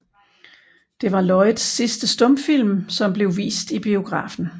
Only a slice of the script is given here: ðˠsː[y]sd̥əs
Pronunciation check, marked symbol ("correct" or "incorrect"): incorrect